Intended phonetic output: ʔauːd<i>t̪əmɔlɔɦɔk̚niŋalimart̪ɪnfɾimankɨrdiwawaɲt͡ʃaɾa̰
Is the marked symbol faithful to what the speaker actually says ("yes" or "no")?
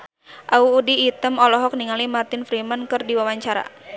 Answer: no